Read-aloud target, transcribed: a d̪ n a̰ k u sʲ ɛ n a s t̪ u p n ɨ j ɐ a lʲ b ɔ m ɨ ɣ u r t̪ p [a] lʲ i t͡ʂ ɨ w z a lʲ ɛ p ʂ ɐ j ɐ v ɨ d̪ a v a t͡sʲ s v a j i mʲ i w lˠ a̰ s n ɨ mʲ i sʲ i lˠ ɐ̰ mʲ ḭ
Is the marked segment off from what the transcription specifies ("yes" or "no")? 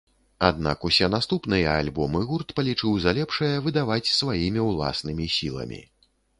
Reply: yes